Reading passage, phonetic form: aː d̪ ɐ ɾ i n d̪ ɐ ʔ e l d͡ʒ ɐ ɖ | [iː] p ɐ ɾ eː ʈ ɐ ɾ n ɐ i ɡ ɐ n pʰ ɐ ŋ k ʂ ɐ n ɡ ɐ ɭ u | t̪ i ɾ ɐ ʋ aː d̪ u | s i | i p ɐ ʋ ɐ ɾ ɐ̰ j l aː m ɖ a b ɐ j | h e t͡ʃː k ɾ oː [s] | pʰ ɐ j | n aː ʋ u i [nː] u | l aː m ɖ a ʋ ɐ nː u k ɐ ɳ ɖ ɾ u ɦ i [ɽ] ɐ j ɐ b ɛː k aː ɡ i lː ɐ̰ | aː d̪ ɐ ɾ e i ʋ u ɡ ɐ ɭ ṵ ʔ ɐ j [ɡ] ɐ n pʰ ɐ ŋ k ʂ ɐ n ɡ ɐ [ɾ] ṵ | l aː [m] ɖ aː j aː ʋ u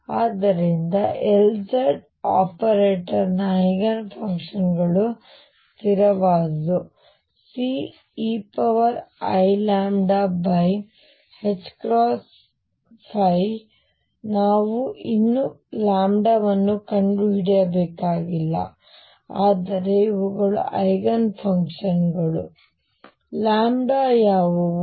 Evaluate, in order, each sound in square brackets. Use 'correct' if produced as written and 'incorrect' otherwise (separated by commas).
incorrect, correct, correct, correct, correct, incorrect, correct